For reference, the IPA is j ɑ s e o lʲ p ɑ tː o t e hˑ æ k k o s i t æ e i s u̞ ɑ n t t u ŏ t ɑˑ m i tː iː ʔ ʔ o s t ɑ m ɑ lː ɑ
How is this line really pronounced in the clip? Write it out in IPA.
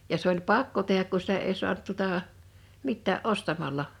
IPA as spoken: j ɑ s e o lʲ p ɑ kː o t e hˑ æ k k u s i t æ e i s u̞ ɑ n t t u ŏ t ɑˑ m i tː æː ʔ ʔ o s t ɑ m ɑ lː ɑ